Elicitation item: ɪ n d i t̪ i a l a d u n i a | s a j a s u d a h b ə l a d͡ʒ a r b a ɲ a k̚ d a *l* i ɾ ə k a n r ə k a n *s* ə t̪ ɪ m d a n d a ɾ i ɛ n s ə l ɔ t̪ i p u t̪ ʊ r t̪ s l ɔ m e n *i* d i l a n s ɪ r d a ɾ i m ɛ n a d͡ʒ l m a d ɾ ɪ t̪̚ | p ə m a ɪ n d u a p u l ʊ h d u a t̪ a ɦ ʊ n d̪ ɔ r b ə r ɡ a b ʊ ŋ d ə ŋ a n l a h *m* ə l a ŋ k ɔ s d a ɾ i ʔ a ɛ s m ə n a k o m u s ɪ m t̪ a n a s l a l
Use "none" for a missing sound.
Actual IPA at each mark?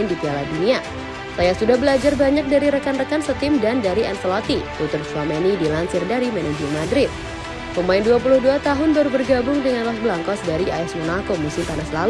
ɾ, s, i, b

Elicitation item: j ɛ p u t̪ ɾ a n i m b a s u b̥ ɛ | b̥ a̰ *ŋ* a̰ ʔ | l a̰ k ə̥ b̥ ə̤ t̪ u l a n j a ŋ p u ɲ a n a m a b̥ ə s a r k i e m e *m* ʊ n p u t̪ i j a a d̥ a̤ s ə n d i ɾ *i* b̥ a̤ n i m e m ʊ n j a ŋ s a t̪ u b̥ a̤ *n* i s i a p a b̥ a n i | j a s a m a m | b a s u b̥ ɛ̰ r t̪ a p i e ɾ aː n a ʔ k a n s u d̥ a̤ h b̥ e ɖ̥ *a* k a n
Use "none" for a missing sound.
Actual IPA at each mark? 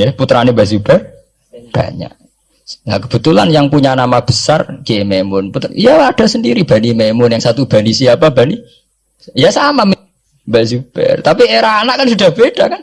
ɲ, m, i, n, a

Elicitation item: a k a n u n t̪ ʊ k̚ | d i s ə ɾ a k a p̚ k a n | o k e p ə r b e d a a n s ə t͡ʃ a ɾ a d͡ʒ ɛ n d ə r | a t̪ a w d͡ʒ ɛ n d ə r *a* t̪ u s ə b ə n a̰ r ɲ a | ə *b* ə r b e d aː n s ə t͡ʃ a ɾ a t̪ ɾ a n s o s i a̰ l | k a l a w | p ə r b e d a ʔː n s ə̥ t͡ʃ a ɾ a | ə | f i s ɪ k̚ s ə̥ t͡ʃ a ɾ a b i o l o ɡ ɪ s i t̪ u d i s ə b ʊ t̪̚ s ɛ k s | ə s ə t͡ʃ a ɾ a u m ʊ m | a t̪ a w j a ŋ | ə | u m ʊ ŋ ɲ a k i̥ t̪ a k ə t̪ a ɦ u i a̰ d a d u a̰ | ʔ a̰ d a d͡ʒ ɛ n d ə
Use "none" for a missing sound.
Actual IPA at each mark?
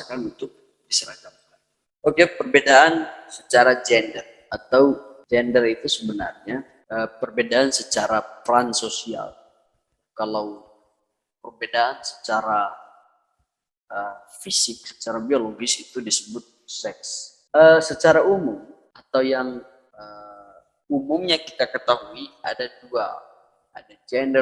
i, p

